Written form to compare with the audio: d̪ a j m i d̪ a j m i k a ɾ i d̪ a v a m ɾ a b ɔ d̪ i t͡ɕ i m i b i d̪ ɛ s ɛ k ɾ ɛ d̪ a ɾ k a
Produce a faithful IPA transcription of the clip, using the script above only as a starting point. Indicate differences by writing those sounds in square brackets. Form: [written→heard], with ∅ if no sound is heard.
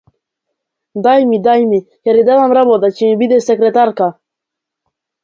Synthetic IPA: d̪ a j m i d̪ a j m i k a ɾ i d̪ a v a m ɾ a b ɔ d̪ [i→a] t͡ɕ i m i b i d̪ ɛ s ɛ k ɾ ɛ [d̪→t̪] a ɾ k a

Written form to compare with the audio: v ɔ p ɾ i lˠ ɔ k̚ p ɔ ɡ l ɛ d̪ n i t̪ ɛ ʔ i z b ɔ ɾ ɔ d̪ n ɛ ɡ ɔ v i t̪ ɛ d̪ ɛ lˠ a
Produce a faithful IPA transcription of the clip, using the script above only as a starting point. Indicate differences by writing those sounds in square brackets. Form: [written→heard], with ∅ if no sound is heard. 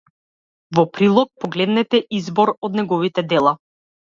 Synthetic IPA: v ɔ p ɾ i lˠ ɔ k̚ p ɔ ɡ l ɛ d̪ n [i→ɛ] t̪ ɛ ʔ i z b ɔ ɾ ɔ d̪ n ɛ ɡ ɔ v i t̪ ɛ d̪ ɛ lˠ a

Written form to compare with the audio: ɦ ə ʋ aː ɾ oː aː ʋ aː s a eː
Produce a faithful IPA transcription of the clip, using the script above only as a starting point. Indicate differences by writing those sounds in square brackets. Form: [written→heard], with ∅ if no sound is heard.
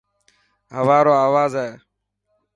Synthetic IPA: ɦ ə ʋ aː ɾ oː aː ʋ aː [s→z] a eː

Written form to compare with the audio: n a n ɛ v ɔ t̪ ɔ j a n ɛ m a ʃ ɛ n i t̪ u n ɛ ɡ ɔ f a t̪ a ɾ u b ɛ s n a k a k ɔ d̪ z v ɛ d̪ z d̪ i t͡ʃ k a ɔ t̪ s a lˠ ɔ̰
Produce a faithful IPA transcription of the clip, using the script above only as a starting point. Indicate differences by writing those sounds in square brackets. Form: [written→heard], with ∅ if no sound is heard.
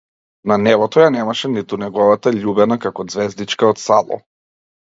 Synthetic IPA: n a n ɛ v ɔ t̪ ɔ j a n ɛ m a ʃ ɛ n i t̪ u n ɛ ɡ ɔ [f→v] a t̪ a [ɾ→ʎ] u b ɛ [s→∅] n a k a k ɔ d̪ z v ɛ [d̪→∅] z d̪ i t͡ʃ k a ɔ t̪ s a lˠ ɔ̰

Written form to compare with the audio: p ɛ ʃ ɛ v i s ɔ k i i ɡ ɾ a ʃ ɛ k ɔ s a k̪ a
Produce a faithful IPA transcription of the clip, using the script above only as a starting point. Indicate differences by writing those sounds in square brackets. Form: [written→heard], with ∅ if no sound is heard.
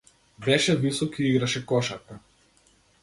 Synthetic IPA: [p→b] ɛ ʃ ɛ v i s ɔ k i i ɡ ɾ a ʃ ɛ k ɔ [s→ʃ] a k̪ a

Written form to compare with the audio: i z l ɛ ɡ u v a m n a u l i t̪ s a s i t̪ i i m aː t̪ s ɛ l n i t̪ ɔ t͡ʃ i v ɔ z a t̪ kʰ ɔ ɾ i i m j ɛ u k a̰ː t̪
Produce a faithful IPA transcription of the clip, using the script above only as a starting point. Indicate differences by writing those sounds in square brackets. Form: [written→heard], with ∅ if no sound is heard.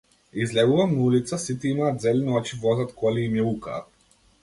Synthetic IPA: i z l ɛ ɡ u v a m n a u l i t̪ s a s i t̪ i i m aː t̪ [s→z] ɛ l n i [t̪→∅] ɔ t͡ʃ i v ɔ z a t̪ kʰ ɔ [ɾ→l] i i m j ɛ u k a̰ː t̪

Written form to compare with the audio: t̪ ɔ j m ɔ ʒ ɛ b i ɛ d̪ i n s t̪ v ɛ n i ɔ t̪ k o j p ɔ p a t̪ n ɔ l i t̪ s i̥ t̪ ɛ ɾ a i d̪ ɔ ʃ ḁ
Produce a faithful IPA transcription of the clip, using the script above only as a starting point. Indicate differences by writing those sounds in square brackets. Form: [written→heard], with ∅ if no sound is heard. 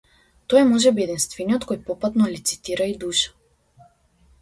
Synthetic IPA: t̪ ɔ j m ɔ ʒ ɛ b i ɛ d̪ i n s t̪ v ɛ n i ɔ t̪ k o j p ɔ p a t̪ n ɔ l i t̪ s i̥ t̪ [ɛ→i] ɾ a i d̪ [ɔ→u] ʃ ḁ

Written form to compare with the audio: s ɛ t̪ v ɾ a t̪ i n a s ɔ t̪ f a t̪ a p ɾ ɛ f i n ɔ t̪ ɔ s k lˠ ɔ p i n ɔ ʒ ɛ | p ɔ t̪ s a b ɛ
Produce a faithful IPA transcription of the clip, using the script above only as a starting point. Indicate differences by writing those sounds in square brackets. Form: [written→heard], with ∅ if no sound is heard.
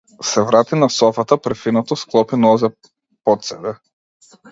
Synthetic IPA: s ɛ [t̪→∅] v ɾ a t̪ i n a s ɔ [t̪→∅] f a t̪ a p ɾ ɛ f i n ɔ t̪ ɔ s k lˠ ɔ p i n ɔ [ʒ→z] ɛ | p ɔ t̪ s [a→ɛ] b ɛ

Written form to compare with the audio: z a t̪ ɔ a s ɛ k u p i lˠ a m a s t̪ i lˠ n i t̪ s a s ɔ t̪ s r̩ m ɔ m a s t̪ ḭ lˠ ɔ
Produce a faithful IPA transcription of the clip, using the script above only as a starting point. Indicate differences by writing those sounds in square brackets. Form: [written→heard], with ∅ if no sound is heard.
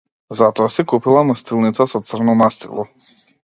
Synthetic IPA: z a t̪ ɔ a s ɛ k u p i lˠ a m a s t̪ i lˠ n i t̪ s a s ɔ t̪ s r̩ [m→n] ɔ m a s t̪ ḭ lˠ ɔ

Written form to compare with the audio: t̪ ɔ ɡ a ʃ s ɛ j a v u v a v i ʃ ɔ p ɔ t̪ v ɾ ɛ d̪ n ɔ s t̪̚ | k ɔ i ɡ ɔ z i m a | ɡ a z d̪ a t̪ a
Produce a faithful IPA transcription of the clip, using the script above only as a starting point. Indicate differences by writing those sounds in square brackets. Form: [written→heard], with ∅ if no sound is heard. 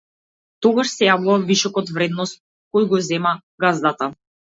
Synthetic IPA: t̪ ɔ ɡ a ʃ s ɛ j a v u v a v i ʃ ɔ [p→k] ɔ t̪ v ɾ ɛ d̪ n ɔ s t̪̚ | k ɔ [i→j] ɡ ɔ z [i→ɛ] m a | ɡ a z d̪ a t̪ a

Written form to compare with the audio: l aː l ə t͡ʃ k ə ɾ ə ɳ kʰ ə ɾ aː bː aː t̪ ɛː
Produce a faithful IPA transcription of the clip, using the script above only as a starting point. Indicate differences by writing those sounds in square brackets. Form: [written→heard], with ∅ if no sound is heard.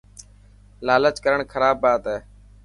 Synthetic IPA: l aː l ə t͡ʃ k ə ɾ ə ɳ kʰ ə ɾ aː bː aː t̪ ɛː

